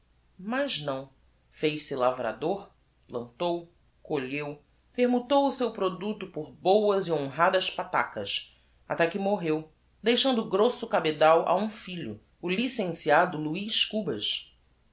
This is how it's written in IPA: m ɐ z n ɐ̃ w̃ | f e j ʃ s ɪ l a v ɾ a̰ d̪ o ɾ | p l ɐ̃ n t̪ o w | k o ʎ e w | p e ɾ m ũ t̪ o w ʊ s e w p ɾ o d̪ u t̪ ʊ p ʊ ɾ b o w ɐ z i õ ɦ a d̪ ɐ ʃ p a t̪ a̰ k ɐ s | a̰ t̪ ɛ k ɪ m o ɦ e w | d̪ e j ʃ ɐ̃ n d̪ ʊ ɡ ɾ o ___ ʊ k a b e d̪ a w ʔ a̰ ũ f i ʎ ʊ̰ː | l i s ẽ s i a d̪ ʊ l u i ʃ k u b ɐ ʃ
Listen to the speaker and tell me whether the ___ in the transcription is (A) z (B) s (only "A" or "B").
B